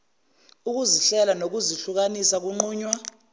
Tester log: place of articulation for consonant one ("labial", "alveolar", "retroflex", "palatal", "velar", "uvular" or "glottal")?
velar